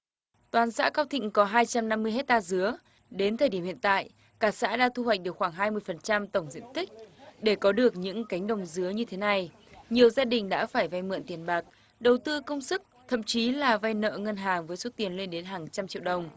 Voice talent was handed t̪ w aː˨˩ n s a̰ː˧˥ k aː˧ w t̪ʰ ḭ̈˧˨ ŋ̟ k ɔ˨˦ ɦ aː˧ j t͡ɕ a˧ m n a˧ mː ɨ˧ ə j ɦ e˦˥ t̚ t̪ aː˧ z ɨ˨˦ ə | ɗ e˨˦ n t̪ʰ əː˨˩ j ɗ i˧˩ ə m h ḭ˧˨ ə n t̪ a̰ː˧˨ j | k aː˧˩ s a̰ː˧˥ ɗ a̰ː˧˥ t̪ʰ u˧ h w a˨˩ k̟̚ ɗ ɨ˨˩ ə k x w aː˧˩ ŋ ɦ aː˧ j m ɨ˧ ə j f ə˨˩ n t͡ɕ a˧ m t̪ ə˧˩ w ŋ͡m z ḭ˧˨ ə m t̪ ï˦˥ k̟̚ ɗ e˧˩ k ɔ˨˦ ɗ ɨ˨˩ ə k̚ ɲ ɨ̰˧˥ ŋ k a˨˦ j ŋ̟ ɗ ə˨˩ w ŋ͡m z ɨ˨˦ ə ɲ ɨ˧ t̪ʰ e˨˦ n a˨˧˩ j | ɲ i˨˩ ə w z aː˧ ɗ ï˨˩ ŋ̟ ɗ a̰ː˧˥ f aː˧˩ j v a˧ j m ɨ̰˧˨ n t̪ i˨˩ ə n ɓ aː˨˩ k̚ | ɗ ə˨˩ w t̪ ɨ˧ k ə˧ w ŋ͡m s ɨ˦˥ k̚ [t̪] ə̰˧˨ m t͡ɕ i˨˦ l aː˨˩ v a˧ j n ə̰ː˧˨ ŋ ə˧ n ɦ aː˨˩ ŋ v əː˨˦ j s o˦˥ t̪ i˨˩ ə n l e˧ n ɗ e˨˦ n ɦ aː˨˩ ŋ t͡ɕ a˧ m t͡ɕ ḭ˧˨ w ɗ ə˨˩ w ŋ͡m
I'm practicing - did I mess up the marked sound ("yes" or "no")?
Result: yes